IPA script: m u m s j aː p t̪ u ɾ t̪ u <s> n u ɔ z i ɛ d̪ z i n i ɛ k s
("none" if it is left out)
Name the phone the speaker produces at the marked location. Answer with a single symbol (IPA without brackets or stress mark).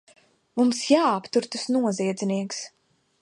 s